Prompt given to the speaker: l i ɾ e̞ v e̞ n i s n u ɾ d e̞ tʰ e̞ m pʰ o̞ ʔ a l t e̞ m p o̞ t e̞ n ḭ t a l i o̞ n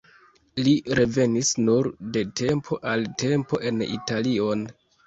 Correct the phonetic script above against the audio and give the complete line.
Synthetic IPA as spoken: l i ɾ e̞ v e̞ n i s n u ɾ d e̞ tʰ e̞ m pʰ o̞ ʔ a l t e̞ m p o̞ ʔ e̞ n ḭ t a l i o̞ n